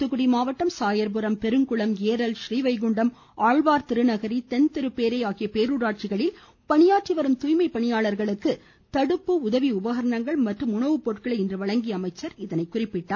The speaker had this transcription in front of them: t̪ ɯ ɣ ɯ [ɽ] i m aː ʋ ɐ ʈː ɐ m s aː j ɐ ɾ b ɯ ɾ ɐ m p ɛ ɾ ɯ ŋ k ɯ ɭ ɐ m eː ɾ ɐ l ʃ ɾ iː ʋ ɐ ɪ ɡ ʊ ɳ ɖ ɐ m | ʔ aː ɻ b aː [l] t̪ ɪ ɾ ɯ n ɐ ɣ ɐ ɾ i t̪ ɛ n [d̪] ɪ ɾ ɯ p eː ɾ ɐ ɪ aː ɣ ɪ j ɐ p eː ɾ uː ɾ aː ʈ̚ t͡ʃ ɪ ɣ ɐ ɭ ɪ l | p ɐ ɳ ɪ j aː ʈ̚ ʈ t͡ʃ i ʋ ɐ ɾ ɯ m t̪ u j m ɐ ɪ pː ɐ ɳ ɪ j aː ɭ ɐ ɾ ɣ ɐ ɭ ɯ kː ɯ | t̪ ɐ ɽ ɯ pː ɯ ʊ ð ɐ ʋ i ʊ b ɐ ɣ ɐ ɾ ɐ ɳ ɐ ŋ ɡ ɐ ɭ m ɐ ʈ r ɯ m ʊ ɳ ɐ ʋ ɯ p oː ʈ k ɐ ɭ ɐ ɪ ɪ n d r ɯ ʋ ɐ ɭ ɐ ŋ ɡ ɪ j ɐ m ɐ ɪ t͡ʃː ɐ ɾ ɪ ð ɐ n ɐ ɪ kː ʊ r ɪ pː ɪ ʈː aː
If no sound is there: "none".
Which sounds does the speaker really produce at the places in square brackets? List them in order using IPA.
ɽ, ɾ, t̪

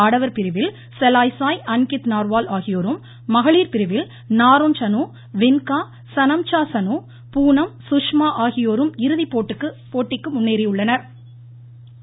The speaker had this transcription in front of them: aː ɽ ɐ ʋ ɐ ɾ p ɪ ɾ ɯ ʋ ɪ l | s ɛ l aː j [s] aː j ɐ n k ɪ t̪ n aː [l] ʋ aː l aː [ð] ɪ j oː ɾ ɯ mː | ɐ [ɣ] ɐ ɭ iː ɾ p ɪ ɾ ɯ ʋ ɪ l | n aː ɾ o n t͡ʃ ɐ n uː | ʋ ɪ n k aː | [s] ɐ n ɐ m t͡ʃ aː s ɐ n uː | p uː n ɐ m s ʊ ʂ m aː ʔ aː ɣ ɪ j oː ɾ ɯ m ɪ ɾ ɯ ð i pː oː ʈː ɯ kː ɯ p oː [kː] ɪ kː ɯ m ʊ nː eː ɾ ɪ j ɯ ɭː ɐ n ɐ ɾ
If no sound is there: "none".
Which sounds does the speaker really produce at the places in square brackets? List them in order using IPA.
s, ɾ, ɣ, ɣ, s, ʈː

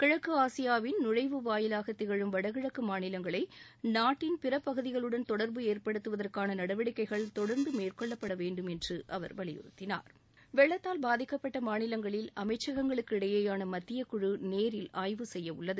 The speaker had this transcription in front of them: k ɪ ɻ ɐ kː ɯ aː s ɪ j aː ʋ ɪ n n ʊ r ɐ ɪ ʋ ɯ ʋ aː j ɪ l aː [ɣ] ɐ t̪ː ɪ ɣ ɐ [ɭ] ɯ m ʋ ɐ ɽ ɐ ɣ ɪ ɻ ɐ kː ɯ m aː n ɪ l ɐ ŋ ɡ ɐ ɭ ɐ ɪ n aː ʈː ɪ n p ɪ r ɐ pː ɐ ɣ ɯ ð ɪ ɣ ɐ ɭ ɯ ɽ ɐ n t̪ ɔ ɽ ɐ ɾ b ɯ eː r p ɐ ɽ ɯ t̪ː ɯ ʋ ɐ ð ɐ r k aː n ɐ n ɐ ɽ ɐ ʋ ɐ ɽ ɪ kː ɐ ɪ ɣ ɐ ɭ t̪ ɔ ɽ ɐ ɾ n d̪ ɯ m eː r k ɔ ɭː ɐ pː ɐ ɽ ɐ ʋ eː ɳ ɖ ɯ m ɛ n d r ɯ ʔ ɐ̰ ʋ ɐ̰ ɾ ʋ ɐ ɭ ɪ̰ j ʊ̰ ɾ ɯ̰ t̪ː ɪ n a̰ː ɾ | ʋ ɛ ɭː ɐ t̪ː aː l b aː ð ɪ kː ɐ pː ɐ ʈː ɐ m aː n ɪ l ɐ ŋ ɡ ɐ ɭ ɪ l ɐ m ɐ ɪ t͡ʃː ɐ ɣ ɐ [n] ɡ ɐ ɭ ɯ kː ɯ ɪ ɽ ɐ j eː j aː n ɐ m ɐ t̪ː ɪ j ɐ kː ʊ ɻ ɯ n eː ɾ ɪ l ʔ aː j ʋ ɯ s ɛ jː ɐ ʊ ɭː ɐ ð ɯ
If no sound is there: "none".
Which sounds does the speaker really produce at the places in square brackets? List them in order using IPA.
ɣ, ɭ, ŋ

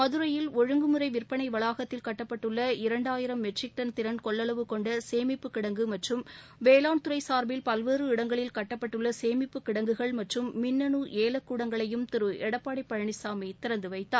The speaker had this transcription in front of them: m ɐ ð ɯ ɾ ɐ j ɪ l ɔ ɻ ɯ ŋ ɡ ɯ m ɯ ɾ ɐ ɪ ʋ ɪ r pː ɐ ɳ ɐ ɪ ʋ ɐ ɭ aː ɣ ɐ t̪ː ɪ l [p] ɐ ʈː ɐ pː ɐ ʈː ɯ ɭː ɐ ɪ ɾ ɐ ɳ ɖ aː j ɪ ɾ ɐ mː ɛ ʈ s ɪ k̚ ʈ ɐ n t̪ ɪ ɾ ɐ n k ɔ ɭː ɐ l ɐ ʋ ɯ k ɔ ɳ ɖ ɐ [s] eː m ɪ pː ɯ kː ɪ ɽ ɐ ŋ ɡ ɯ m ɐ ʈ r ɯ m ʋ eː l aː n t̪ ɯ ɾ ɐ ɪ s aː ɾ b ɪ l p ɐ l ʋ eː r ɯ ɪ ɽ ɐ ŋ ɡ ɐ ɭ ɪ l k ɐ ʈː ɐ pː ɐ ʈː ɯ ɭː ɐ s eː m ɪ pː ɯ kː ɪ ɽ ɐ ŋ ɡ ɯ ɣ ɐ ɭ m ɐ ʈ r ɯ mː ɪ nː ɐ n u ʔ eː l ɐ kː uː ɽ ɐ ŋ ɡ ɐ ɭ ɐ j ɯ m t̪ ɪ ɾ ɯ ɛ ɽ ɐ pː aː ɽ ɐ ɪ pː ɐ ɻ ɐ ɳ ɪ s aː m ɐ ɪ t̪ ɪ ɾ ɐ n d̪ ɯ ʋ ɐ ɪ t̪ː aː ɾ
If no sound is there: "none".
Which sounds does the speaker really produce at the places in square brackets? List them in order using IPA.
k, s

